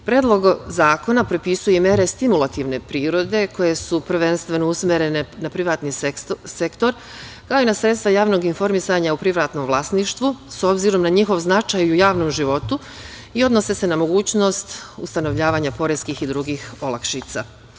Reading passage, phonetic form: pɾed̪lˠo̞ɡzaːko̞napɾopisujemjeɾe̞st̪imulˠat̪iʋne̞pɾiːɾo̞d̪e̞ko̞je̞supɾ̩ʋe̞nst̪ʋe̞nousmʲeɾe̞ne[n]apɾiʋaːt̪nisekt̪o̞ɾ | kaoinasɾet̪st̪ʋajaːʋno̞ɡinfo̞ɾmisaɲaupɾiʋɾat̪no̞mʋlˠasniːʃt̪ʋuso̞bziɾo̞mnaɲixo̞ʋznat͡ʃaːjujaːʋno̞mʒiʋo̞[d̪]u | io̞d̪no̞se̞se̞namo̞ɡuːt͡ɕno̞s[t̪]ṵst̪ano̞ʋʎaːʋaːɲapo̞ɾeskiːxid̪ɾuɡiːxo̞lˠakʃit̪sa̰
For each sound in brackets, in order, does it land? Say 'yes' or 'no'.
yes, no, yes

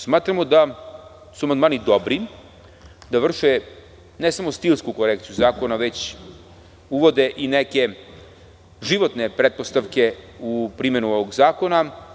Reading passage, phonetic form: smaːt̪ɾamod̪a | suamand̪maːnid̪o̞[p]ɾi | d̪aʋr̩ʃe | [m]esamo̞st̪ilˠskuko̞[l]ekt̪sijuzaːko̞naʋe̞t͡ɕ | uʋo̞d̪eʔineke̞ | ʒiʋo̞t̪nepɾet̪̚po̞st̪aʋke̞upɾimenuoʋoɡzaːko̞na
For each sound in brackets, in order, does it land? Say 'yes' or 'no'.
no, no, no

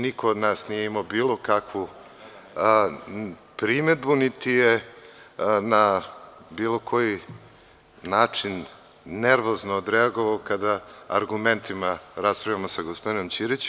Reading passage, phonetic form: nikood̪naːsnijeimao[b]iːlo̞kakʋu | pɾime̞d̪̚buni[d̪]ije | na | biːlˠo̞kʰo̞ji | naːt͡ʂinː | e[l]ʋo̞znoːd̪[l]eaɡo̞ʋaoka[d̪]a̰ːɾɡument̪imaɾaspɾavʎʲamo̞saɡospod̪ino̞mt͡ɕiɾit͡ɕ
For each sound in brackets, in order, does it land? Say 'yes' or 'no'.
yes, no, no, no, yes

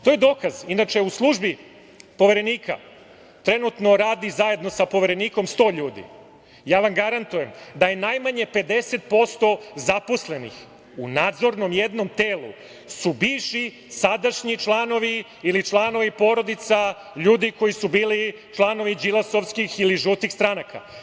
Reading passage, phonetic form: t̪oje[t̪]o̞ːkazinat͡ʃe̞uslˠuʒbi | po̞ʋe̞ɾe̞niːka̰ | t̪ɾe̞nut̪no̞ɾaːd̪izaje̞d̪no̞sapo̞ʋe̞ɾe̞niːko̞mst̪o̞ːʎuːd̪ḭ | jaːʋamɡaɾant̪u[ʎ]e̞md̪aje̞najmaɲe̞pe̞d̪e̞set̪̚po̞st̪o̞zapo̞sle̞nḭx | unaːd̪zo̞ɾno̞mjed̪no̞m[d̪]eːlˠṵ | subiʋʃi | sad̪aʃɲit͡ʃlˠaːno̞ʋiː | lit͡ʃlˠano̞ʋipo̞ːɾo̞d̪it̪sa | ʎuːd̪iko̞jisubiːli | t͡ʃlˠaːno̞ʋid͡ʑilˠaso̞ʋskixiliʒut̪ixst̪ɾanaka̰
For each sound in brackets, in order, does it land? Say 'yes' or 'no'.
no, no, no

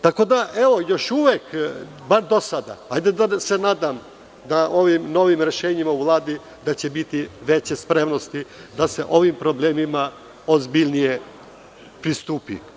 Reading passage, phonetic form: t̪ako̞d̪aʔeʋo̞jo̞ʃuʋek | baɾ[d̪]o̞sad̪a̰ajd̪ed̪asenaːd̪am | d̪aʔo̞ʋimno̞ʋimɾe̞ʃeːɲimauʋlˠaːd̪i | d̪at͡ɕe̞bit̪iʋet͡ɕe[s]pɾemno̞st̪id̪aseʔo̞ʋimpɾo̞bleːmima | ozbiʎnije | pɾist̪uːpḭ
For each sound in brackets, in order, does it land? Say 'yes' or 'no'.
yes, yes

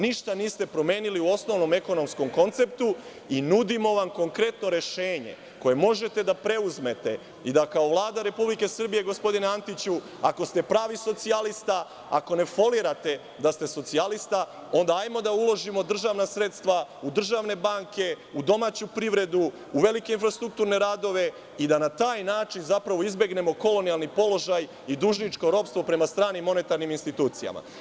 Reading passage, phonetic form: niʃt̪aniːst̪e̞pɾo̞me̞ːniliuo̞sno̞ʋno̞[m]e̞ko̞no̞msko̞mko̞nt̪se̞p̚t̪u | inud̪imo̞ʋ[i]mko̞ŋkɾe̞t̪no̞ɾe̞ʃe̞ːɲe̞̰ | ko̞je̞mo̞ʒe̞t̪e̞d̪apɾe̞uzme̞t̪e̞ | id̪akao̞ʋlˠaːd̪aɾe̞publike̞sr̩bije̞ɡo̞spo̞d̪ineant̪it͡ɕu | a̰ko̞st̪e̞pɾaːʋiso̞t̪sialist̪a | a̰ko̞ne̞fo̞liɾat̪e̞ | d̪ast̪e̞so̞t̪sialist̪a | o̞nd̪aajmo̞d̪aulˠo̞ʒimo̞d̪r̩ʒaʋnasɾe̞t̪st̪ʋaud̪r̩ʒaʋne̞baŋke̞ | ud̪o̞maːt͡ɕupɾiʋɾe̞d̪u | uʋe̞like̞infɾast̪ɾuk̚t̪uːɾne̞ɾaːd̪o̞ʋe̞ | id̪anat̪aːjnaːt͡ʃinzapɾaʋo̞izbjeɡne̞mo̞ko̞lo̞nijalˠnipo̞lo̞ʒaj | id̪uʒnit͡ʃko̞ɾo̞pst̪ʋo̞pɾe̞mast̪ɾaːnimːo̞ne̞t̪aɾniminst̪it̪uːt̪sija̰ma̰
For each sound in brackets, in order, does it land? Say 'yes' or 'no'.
yes, no

